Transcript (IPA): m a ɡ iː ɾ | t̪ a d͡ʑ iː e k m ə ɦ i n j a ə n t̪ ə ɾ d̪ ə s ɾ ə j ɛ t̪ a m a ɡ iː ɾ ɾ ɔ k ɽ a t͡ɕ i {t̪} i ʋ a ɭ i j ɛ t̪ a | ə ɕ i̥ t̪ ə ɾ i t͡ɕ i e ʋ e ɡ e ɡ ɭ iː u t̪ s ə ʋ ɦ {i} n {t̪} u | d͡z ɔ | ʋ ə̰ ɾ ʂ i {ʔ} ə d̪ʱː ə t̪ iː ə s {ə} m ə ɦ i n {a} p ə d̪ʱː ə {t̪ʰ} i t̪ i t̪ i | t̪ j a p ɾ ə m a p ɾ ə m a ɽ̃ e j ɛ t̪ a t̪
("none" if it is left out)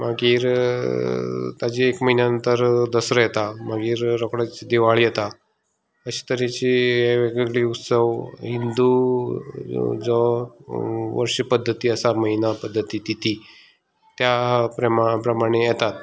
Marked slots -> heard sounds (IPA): d̪, i, d̪, p, a, a, t̪

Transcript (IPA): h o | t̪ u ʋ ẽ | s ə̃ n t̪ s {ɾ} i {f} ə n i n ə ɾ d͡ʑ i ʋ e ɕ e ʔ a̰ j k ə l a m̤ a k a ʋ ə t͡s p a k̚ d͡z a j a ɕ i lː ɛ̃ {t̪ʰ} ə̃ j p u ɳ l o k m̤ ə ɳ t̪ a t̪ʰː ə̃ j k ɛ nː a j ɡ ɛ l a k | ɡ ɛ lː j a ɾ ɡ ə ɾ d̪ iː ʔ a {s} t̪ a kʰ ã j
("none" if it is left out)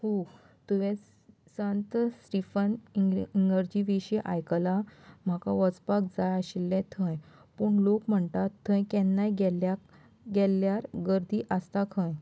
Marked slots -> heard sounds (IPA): ɾ, f, t̪ʰ, s

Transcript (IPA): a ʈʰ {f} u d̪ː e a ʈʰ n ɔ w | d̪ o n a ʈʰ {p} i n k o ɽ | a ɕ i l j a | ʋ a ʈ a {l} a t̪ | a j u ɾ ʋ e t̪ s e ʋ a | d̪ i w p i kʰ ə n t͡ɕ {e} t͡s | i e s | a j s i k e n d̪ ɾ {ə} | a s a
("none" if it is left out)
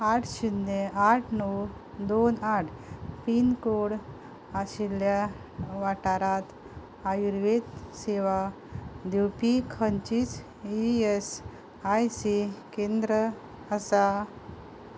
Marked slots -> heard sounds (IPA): ɕ, p, ɾ, i, ə

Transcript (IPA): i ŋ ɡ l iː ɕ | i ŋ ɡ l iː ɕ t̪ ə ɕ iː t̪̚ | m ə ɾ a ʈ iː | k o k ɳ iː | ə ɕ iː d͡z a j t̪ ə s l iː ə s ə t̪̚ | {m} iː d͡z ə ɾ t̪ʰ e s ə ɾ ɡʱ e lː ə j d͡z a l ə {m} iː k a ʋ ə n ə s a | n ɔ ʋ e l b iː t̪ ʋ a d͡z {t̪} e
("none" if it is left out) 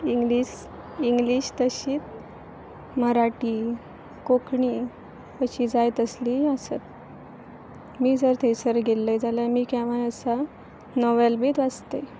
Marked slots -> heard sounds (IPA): m, m, t̪

